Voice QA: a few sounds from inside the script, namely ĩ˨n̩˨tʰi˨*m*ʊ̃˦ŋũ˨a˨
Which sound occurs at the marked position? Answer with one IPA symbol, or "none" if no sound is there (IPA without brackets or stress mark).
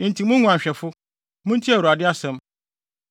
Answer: m